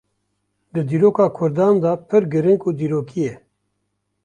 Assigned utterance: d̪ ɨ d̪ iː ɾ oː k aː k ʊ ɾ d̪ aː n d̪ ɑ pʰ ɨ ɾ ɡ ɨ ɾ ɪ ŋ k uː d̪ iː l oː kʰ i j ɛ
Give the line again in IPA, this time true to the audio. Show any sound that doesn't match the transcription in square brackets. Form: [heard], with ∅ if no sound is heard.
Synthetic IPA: d̪ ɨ d̪ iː ɾ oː k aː [kʰ] ʊ ɾ d̪ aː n d̪ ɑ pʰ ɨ ɾ ɡ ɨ ɾ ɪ ŋ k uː d̪ iː [ɾ] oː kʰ i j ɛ

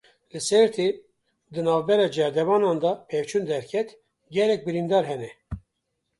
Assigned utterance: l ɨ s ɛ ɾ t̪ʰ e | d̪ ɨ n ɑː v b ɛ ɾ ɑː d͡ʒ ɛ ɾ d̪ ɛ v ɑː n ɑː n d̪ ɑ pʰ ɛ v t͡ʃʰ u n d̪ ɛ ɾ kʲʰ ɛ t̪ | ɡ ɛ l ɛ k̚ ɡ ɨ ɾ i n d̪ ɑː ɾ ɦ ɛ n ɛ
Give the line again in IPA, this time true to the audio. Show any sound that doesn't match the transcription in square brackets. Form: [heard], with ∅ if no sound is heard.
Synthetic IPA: l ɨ s ɛ ɾ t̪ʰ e | d̪ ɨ n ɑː v b ɛ ɾ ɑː d͡ʒ ɛ ɾ d̪ ɛ v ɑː n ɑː n d̪ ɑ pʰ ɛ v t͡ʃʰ u n d̪ ɛ ɾ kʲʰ ɛ t̪ | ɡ ɛ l ɛ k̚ [b] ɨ ɾ i n d̪ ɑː ɾ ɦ ɛ n ɛ

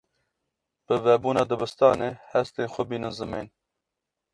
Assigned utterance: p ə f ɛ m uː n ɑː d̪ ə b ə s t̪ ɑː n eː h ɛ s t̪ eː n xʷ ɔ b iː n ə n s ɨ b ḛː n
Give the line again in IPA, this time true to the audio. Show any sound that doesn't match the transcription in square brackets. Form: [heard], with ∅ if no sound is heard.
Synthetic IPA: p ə [v] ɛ [b] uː n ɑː d̪ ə b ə s t̪ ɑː n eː h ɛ s t̪ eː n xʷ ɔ b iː n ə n [z] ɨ [m] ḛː n

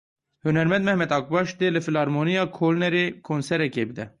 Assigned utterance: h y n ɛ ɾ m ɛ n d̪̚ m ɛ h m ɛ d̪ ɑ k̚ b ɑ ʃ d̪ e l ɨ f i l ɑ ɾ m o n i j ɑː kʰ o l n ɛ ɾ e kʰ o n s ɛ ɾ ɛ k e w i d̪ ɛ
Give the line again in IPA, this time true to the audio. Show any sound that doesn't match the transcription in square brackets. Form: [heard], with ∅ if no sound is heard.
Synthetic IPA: h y n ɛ ɾ m ɛ n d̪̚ m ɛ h m ɛ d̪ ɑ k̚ b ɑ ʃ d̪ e l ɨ f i l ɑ ɾ m o n i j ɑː kʰ o l n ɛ ɾ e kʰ o n s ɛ ɾ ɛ k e [b] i d̪ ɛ

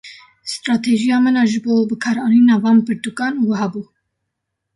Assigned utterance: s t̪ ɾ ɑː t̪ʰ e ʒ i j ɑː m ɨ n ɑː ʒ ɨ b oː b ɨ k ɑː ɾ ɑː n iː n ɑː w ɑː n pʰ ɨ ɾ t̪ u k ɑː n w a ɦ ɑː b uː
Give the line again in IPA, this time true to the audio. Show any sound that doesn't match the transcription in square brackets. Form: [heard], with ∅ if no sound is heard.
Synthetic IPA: s t̪ ɾ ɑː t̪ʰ e ʒ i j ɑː m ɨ n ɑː ʒ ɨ b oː b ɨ [kʰ] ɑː ɾ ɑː n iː n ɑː [v] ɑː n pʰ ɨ ɾ t̪ u k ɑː n w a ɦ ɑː b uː

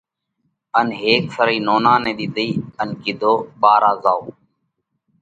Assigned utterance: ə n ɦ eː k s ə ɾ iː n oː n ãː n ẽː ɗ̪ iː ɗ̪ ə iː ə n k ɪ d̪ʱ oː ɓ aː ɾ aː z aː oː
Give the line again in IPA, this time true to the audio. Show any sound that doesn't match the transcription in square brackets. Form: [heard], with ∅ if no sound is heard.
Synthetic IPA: ə n ɦ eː k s ə ɾ iː n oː n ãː n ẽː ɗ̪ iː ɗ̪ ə iː ə n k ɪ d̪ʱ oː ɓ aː ɾ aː z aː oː

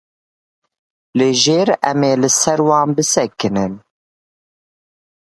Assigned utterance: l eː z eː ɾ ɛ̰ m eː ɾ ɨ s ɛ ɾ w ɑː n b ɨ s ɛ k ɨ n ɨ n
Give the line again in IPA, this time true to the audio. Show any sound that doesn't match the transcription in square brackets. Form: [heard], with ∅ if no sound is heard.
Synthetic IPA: l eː [ʒ] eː ɾ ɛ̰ m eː [l] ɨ s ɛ ɾ w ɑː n b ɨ s ɛ k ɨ n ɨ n

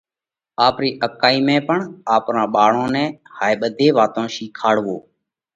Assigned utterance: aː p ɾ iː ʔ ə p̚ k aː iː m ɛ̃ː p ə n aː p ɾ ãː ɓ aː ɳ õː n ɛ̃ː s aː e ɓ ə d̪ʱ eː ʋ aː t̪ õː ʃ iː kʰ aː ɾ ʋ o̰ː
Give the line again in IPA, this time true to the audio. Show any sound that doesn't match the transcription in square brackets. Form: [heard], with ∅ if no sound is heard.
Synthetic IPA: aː p ɾ iː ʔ ə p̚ k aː iː m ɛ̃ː p ə [ɳ] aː p ɾ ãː ɓ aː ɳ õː n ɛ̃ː [h] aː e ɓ ə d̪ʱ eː ʋ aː t̪ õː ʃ iː kʰ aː [ɽ] ʋ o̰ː

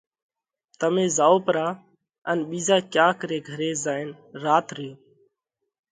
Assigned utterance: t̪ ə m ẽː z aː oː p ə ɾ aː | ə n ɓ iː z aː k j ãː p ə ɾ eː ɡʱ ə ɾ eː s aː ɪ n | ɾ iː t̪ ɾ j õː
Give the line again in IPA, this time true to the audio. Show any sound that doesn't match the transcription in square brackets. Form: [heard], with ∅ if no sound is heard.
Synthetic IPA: t̪ ə m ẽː z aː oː p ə ɾ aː | ə n ɓ iː z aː k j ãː [k] ə ɾ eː ɡʱ ə ɾ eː [z] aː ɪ n | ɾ [aː] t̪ ɾ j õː

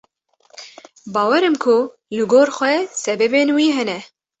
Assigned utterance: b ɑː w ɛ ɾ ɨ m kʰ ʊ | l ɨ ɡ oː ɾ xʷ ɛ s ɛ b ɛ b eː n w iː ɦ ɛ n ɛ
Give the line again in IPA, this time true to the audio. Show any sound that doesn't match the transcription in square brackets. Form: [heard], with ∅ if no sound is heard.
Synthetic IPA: b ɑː w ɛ ɾ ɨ m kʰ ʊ | l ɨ ɡ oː ɾ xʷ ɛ s ɛ b ɛ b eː n w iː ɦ ɛ n ɛ

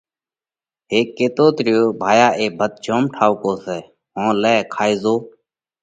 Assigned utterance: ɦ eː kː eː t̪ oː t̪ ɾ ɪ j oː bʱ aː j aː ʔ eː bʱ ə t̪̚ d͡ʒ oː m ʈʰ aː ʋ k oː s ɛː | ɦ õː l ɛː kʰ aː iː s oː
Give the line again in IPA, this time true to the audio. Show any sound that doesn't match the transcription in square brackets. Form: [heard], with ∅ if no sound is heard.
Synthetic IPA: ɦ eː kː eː t̪ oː t̪ ɾ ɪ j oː bʱ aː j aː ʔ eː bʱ ə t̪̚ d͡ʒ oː m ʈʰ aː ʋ k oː s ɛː | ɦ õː l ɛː kʰ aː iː [z] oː

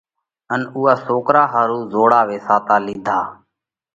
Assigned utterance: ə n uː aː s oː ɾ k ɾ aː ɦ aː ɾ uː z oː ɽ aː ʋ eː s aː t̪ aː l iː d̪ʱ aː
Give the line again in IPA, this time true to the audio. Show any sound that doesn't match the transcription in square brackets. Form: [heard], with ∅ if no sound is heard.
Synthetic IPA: ə n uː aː s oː [∅] k ɾ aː ɦ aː ɾ uː z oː ɽ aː ʋ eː s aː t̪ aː l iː d̪ʱ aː

